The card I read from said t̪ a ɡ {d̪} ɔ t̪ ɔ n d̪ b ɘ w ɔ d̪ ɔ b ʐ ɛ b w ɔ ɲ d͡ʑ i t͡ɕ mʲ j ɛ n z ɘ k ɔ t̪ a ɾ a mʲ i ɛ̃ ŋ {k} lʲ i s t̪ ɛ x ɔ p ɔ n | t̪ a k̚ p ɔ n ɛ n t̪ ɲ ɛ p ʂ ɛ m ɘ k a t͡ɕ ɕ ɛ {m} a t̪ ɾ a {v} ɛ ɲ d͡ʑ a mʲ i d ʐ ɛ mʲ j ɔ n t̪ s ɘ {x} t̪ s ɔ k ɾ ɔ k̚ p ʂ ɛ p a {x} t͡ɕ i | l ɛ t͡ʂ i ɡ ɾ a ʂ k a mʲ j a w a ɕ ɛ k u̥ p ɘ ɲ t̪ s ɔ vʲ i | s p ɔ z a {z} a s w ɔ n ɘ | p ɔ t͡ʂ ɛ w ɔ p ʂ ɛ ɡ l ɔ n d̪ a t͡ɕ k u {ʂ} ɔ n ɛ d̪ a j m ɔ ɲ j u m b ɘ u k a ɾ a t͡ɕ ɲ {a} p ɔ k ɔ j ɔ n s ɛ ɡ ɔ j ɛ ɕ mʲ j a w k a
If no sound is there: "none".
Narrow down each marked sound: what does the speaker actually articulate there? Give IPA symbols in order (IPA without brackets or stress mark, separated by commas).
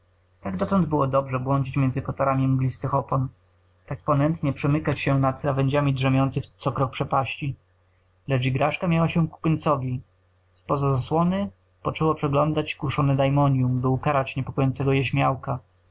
d̪, ɡ, n, v, x, ɕ, z, ʂ, ɛ